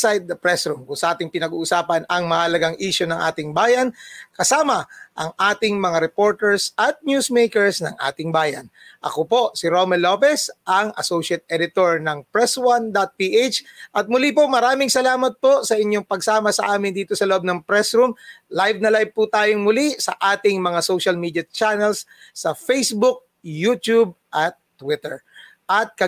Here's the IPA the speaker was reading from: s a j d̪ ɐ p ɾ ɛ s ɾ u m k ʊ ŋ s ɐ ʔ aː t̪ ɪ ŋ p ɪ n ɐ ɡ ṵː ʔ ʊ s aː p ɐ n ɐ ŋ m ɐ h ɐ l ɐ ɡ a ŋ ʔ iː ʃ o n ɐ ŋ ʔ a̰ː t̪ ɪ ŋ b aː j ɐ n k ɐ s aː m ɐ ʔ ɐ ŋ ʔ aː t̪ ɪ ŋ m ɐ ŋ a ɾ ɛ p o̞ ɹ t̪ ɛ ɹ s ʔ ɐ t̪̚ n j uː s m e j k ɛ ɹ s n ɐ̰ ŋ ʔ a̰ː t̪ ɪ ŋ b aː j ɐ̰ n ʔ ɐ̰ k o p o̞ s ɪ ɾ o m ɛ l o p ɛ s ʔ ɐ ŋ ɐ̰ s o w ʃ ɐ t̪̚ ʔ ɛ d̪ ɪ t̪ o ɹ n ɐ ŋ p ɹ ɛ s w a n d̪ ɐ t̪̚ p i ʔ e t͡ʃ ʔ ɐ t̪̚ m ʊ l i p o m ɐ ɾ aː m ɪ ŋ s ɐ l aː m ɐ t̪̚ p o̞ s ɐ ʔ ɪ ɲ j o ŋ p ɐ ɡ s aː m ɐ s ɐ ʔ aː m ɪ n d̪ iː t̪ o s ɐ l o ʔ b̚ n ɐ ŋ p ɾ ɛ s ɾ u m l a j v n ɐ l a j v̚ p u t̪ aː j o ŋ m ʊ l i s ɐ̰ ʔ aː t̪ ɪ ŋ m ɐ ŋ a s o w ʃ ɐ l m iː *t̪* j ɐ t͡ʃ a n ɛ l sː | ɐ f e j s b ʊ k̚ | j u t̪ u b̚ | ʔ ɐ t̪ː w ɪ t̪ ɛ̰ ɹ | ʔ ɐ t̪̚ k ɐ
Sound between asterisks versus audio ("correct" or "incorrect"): incorrect